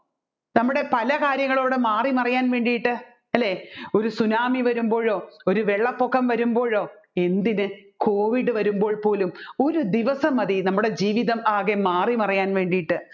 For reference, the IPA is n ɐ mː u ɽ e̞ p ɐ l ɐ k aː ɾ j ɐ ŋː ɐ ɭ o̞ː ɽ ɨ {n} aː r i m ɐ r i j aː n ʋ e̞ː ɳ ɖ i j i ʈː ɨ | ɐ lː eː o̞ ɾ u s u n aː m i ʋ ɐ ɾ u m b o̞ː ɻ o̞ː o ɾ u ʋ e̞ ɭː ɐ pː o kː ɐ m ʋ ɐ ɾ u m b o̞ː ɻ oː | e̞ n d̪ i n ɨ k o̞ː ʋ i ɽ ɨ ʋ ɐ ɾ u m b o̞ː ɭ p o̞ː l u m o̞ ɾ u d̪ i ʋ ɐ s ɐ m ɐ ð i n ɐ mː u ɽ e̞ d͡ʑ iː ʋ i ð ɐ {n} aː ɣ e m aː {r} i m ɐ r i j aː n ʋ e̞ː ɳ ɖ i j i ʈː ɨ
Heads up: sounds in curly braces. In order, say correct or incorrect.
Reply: incorrect, incorrect, correct

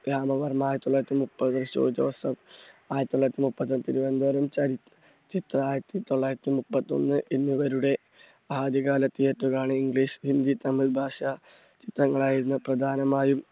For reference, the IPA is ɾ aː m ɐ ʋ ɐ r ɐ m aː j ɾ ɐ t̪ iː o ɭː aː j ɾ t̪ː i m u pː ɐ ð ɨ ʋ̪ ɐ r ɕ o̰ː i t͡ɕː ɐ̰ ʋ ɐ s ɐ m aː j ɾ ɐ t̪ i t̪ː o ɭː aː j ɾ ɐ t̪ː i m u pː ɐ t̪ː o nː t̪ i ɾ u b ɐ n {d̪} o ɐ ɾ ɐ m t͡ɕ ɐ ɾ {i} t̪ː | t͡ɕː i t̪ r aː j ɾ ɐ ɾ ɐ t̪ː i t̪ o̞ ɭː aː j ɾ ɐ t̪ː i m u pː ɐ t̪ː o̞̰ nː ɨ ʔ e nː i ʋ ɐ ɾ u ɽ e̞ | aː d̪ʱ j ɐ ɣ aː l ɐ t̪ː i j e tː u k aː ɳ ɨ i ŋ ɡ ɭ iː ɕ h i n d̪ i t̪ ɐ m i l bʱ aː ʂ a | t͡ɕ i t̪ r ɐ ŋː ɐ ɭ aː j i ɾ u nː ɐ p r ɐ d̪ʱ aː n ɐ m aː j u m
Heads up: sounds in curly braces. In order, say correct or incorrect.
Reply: correct, correct

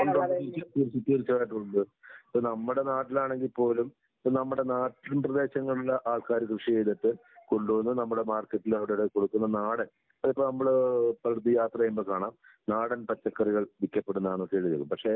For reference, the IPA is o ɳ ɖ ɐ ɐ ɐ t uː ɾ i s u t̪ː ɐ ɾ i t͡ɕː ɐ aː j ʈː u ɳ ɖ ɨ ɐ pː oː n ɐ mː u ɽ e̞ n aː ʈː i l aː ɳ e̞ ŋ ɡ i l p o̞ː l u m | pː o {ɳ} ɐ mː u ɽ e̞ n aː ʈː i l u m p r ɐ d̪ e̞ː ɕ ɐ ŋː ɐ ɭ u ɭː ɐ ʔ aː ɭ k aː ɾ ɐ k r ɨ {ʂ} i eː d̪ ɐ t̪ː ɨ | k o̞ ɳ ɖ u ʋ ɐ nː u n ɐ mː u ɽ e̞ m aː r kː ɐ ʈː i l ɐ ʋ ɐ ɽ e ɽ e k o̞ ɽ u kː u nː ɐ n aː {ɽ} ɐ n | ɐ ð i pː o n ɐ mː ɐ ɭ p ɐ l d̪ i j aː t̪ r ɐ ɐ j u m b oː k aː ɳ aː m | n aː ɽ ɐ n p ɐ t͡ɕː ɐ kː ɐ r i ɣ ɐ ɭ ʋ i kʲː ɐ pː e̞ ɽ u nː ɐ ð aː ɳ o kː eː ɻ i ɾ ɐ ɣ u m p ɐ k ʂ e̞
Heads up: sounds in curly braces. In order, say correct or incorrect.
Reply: incorrect, correct, correct

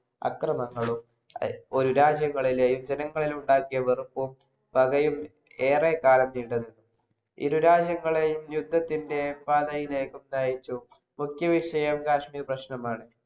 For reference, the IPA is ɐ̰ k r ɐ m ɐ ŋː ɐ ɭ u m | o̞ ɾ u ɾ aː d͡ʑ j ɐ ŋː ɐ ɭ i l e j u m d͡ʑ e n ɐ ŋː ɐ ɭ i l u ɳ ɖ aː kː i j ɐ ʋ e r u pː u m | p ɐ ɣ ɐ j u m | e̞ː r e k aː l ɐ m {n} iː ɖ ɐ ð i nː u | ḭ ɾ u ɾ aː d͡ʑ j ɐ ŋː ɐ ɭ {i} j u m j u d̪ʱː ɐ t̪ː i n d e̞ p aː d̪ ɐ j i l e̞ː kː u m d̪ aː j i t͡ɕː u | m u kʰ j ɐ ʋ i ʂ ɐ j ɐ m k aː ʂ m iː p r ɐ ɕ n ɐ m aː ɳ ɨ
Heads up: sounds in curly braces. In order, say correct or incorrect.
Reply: correct, incorrect

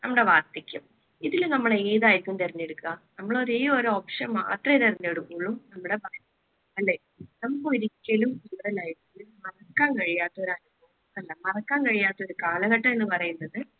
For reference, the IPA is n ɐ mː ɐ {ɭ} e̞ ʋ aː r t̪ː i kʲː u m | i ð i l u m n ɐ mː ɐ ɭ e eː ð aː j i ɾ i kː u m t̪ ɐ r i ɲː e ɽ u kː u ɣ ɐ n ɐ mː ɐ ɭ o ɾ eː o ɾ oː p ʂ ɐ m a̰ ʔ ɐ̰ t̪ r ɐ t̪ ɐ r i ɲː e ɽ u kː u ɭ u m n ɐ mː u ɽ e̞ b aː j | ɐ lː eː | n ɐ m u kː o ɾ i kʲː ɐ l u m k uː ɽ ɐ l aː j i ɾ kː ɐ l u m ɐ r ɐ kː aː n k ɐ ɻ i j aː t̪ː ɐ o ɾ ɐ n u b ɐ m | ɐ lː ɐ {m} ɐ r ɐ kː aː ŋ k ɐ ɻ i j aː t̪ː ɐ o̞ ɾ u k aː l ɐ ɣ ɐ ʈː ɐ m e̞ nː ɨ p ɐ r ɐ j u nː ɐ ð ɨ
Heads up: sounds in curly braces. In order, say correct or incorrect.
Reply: incorrect, correct

